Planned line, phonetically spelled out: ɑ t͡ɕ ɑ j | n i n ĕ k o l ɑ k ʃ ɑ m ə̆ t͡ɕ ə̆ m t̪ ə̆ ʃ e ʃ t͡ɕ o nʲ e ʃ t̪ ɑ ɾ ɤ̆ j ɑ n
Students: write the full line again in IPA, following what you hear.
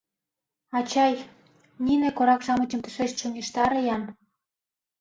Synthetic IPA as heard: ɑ t͡ɕ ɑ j | n i n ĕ k o ɾ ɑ k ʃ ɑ m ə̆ t͡ɕ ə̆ m t̪ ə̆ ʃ e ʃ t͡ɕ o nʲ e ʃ t̪ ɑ ɾ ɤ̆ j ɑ n